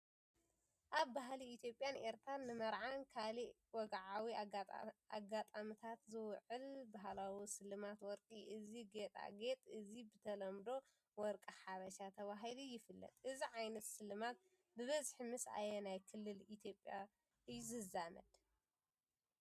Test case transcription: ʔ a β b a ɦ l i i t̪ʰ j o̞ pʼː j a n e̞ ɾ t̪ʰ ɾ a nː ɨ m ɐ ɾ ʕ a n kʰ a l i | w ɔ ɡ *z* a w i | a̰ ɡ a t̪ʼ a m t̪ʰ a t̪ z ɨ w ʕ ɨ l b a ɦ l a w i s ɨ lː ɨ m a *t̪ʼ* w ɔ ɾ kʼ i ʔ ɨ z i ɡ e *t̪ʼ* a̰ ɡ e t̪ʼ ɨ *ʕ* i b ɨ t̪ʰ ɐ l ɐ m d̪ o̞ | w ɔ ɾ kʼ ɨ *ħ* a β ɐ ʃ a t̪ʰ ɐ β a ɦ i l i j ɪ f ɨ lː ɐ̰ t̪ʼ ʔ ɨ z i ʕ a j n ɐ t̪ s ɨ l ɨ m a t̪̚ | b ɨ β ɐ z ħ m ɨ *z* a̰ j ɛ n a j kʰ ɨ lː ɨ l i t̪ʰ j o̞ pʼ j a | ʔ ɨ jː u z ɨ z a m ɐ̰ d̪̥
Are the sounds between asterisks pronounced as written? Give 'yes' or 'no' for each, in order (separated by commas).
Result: no, no, yes, no, yes, no